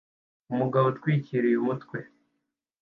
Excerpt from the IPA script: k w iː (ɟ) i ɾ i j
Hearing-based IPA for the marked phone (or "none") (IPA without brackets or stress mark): c